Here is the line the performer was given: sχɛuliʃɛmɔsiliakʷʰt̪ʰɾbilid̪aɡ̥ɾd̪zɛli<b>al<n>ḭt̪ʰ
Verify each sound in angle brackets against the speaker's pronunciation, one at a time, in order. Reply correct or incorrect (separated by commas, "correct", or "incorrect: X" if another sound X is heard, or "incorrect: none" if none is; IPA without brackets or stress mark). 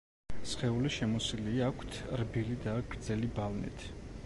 correct, correct